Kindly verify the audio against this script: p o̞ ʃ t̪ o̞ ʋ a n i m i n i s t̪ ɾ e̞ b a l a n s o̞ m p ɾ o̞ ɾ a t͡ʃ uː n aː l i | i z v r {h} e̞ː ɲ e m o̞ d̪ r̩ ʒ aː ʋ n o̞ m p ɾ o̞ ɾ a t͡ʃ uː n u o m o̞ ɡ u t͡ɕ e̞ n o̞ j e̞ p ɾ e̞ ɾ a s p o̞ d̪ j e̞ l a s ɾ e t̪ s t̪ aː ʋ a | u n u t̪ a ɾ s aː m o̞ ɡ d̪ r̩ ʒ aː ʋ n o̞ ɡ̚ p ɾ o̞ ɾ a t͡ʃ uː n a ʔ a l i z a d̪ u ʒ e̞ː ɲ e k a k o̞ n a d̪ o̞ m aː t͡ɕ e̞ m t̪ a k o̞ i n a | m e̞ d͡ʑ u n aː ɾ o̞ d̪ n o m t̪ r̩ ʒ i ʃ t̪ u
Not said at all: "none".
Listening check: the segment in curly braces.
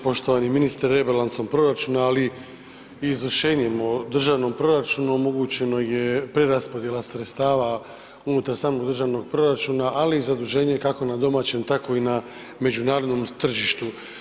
ʃ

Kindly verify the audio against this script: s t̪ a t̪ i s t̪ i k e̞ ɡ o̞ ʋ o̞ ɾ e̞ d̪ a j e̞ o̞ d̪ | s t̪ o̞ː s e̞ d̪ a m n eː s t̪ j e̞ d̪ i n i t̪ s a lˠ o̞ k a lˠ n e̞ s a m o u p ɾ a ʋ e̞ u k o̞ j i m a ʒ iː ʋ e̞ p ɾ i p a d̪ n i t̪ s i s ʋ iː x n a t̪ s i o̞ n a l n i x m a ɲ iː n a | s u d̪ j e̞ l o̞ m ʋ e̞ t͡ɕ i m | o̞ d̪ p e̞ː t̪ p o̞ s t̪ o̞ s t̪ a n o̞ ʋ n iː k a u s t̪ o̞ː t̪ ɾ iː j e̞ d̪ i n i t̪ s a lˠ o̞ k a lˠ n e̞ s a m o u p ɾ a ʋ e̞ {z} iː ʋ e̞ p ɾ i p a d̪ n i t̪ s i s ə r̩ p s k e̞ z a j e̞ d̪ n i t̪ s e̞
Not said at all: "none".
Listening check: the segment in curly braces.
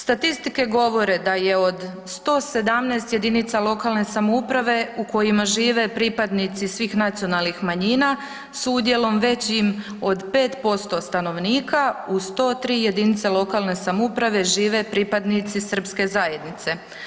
ʒ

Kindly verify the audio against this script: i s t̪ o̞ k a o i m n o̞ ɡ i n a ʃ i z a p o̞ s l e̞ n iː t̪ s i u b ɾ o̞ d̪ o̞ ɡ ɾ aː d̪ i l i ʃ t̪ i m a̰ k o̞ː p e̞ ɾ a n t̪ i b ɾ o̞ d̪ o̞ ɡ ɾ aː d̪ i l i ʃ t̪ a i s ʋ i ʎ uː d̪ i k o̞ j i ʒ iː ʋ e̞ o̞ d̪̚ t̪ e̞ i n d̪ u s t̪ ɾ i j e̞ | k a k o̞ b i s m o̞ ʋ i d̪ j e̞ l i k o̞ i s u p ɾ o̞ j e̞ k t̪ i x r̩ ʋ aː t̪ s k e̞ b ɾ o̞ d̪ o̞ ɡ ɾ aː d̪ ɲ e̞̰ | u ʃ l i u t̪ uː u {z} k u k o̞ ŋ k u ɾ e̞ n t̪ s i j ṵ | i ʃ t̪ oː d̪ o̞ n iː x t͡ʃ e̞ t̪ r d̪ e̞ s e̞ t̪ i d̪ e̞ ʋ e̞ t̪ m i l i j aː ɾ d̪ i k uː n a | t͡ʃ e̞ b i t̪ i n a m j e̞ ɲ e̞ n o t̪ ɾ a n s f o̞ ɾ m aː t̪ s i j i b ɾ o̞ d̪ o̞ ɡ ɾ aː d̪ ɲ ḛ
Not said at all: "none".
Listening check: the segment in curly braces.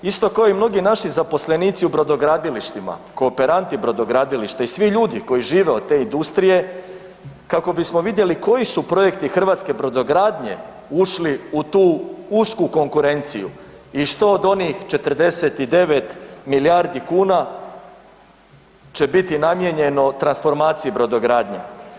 s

